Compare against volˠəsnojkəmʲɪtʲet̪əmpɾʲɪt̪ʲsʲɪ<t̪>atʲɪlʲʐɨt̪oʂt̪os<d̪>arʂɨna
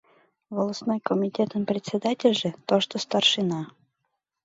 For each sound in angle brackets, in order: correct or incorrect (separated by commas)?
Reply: incorrect, incorrect